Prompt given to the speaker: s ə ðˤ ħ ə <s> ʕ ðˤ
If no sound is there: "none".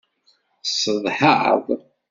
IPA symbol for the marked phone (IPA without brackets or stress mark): none